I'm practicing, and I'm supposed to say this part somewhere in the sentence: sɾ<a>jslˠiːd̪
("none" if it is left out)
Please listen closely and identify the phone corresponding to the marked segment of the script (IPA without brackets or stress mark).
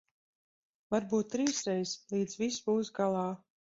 ɛ